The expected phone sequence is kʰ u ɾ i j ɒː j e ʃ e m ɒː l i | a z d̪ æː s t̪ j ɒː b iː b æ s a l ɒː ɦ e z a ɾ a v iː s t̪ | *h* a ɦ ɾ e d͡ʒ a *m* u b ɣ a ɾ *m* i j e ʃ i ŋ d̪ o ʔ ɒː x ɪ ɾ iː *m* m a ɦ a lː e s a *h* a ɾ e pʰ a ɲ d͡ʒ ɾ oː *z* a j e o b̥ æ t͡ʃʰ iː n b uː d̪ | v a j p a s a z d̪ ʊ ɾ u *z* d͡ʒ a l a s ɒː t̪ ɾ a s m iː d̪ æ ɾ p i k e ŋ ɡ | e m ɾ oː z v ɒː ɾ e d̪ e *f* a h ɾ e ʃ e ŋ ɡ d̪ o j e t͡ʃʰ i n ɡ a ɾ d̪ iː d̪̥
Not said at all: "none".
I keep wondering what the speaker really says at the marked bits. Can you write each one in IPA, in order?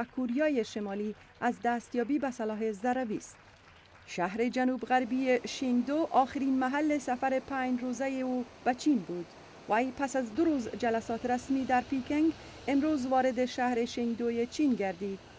ʃ, n, b, n, f, z, z, ʃ

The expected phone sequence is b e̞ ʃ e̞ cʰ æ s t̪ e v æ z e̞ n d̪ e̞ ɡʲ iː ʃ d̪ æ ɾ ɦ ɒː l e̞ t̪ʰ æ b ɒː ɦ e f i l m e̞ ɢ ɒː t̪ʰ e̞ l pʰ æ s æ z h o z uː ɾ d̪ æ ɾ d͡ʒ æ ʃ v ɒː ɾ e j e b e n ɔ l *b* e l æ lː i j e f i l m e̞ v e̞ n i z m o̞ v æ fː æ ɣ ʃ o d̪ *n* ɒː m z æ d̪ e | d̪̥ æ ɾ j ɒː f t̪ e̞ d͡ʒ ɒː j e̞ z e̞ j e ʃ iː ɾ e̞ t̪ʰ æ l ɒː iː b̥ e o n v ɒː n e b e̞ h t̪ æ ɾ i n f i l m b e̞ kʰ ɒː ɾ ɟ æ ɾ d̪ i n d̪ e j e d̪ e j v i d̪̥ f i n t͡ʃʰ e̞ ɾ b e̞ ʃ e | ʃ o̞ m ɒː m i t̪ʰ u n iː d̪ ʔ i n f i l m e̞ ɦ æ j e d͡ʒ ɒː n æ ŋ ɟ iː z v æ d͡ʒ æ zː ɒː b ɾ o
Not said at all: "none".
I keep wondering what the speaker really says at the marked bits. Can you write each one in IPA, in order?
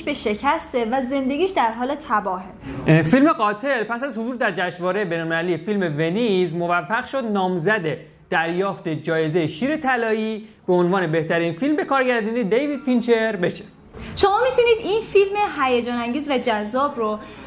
m, n

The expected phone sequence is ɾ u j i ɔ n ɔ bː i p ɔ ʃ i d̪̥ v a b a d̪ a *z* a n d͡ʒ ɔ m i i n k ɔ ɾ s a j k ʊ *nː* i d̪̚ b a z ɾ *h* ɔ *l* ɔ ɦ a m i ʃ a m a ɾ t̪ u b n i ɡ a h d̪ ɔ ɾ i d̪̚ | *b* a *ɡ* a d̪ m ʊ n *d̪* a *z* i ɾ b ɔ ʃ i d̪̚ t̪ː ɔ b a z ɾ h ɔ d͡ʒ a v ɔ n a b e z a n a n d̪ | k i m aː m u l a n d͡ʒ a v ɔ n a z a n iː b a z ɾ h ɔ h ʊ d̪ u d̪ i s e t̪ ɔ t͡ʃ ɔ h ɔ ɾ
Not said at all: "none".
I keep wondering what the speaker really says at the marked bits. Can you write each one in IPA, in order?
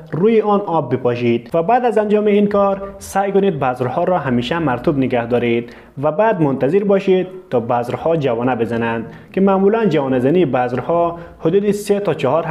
z, n, h, ɾ, v, b, t̪, z

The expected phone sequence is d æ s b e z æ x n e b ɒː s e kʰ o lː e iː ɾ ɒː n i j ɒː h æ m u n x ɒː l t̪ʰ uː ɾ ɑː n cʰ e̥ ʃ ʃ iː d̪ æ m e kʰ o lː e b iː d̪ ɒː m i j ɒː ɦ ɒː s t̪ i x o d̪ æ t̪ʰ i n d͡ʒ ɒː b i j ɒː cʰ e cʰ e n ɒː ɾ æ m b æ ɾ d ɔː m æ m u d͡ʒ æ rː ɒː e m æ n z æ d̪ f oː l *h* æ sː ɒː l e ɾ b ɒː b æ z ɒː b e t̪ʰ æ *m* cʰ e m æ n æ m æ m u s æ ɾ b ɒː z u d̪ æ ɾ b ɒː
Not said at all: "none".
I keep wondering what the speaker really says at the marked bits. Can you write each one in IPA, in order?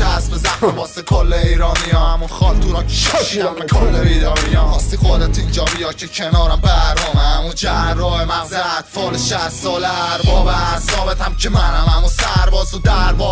ʃ, m

